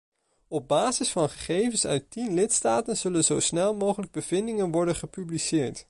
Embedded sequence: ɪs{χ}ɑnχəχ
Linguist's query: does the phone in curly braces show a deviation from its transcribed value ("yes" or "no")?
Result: yes